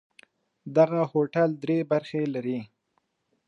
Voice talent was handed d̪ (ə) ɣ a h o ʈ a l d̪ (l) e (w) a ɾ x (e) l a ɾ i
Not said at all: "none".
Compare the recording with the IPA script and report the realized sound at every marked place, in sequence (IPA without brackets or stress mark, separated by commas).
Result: a, ɾ, b, e